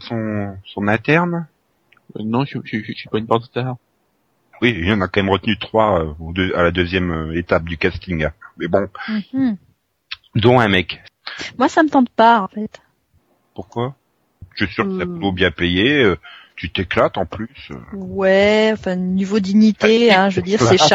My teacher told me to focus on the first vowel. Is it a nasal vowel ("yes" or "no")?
yes